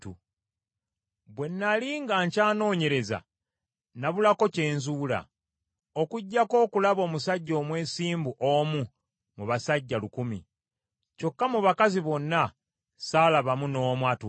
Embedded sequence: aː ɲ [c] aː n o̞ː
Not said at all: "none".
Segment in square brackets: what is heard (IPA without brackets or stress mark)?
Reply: c